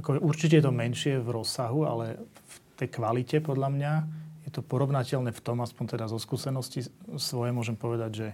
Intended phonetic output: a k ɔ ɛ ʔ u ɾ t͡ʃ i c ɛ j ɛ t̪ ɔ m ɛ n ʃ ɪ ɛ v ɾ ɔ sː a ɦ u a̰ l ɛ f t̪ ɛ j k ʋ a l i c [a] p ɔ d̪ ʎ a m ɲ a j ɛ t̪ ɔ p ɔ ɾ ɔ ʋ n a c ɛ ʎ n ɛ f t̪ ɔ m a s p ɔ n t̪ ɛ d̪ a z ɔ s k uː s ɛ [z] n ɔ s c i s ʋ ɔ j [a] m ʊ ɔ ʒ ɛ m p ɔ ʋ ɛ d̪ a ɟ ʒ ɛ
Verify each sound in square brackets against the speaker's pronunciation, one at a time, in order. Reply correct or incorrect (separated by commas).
incorrect, incorrect, incorrect